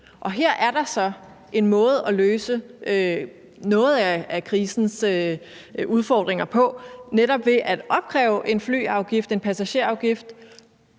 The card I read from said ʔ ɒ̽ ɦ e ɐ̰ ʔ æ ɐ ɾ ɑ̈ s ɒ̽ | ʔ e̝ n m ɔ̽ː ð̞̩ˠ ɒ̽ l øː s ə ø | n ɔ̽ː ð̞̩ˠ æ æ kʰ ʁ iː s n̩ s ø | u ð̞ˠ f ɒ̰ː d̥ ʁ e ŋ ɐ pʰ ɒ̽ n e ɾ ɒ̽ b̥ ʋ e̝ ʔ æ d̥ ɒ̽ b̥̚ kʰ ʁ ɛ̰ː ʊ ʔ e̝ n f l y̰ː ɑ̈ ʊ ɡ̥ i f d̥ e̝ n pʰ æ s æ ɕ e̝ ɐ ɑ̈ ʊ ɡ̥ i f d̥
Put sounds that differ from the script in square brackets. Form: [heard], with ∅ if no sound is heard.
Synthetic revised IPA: ʔ ɒ̽ ɦ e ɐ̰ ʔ æ ɐ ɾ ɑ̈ s ɒ̽ | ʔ e̝ n m ɔ̽ː ð̞̩ˠ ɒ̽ l øː s ə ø | n ɔ̽ː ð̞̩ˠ æ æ kʰ ʁ iː s n̩ s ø | u ð̞ˠ f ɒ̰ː d̥ ʁ e ŋ ɐ pʰ ɒ̽ n e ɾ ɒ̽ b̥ ʋ e̝ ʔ æ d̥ ɒ̽ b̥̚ kʰ ʁ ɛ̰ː ʊ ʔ e̝ n f l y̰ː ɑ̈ ʊ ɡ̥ i f d̥ e̝ n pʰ æ s æ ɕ e̝ ɐ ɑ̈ ʊ ɡ̥ i f d̥

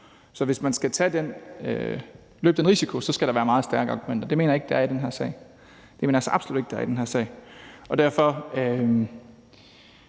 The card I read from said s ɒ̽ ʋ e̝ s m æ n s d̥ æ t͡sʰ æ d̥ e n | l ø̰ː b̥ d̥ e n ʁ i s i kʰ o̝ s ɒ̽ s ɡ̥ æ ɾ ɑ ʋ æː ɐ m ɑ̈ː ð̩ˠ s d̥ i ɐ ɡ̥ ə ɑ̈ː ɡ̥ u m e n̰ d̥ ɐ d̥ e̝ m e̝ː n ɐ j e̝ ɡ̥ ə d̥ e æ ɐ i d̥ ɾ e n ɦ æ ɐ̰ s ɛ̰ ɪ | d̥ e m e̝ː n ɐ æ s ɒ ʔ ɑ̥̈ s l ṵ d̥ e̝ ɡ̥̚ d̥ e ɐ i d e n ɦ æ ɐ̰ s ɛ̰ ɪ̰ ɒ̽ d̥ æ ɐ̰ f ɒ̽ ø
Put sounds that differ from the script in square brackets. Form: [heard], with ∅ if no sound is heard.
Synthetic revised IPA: s ɒ̽ ʋ e̝ s m æ n s [ɡ̥] æ t͡sʰ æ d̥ e n | l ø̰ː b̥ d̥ e n ʁ i s i kʰ o̝ s ɒ̽ s ɡ̥ æ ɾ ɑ ʋ æː ɐ m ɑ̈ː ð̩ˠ s d̥ [æ] ɐ ɡ̥ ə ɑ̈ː ɡ̥ u m e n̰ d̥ ɐ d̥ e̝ m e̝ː n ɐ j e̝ ɡ̥ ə d̥ e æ ɐ i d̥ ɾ e n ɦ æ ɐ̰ s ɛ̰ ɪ | d̥ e m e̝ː n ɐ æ s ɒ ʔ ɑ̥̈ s l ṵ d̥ e̝ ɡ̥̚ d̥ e ɐ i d e n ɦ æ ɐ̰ s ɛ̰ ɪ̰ ɒ̽ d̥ æ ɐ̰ f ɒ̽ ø

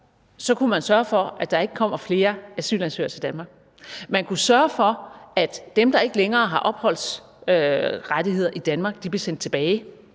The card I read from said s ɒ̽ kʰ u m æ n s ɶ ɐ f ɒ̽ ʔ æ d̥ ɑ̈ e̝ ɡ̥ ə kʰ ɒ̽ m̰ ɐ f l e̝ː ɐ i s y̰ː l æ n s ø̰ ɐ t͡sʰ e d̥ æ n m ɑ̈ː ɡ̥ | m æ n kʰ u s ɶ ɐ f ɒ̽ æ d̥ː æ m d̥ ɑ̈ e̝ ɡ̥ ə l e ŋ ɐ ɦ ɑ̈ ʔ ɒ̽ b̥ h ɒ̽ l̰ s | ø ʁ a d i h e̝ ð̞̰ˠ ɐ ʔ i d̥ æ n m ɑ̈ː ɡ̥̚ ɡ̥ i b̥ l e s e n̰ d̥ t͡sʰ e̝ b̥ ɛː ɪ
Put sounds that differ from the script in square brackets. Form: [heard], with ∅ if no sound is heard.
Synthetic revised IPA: s ɒ̽ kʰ u m æ n s ɶ ɐ f ɒ̽ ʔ æ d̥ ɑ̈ e̝ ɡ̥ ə kʰ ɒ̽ m̰ ɐ f l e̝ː ɐ [æ] s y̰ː l æ n s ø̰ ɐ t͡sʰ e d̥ æ n m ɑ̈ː ɡ̥ | m æ n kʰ u s ɶ ɐ f ɒ̽ æ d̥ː [e] m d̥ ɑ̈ e̝ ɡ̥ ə l e ŋ [ɐː] ɦ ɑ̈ ʔ ɒ̽ b̥ h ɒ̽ l̰ s | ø ʁ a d i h e̝ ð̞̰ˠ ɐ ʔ i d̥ æ n m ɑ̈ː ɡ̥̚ [d̥] i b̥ l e s e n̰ d̥ t͡sʰ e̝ b̥ ɛː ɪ

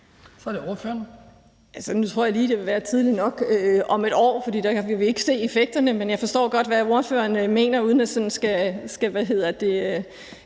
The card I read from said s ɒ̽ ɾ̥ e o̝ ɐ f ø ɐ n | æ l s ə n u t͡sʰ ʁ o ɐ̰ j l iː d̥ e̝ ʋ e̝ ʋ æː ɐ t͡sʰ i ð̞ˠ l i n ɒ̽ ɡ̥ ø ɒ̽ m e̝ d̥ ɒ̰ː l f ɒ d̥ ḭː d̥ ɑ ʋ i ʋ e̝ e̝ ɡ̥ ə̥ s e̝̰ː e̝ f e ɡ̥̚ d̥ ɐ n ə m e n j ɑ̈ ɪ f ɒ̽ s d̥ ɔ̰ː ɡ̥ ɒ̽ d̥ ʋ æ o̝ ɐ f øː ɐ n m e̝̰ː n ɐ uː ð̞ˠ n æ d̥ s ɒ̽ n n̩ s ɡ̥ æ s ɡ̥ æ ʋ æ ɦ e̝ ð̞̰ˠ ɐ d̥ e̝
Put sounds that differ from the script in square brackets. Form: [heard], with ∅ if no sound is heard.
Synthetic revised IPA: s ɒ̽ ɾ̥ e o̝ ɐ f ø ɐ n | æ l s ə n u t͡sʰ ʁ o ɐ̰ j l iː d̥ e̝ ʋ e̝ ʋ æː ɐ t͡sʰ i ð̞ˠ l i n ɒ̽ ɡ̥ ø ɒ̽ m e̝ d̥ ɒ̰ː [∅] f ɒ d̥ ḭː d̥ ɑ ʋ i ʋ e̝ e̝ ɡ̥ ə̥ s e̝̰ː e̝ f e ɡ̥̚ d̥ ɐ n ə m e n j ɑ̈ ɪ f ɒ̽ s d̥ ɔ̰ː ɡ̥ ɒ̽ d̥ ʋ æ o̝ ɐ f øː ɐ n m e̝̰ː n ɐ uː ð̞ˠ n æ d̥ s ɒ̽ n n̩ s ɡ̥ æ s ɡ̥ æ ʋ æ ɦ e̝ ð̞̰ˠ ɐ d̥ e̝

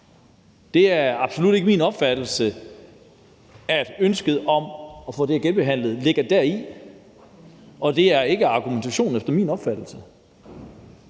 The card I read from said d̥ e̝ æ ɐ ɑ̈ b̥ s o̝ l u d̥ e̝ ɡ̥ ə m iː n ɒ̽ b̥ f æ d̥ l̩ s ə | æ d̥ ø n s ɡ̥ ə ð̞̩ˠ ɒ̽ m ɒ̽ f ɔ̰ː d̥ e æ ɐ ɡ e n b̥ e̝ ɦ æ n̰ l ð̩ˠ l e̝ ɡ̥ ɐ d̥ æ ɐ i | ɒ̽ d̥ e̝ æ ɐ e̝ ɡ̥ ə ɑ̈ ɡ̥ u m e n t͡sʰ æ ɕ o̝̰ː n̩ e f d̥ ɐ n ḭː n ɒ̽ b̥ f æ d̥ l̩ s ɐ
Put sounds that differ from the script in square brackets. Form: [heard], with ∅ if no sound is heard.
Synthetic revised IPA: d̥ e̝ æ ɐ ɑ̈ b̥ s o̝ l u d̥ e̝ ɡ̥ ə m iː n ɒ̽ b̥ f æ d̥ l̩ s ə | æ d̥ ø n s ɡ̥ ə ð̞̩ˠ ɒ̽ m ɒ̽ f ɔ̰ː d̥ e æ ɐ ɡ e n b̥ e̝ ɦ æ n̰ l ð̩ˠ l e̝ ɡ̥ ɐ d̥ æ ɐ i | ɒ̽ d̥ e̝ æ ɐ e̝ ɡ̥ ə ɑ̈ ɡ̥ u m e n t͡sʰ æ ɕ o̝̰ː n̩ e f d̥ ɐ [m] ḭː n ɒ̽ b̥ f æ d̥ l̩ s [ə]

